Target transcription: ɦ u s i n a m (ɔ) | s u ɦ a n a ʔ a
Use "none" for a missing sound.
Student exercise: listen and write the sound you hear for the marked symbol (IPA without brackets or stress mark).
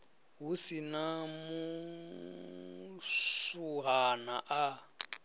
u